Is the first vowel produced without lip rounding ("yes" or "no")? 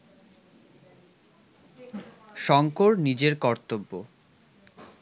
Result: no